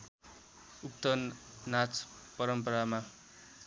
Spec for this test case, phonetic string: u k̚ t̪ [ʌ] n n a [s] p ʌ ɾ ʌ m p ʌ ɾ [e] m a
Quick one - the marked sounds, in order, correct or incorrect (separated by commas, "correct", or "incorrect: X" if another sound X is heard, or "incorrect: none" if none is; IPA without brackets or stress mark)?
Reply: correct, incorrect: t͡s, incorrect: a